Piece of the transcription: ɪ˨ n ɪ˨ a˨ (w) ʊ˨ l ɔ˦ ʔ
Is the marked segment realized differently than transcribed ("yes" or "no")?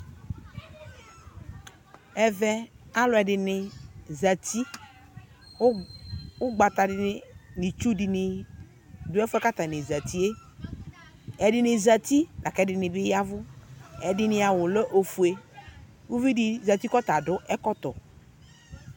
no